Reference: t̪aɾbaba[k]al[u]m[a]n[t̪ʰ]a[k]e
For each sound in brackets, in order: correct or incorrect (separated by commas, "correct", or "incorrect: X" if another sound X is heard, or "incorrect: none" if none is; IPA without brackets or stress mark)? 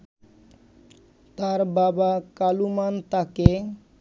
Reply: correct, correct, correct, incorrect: t̪, correct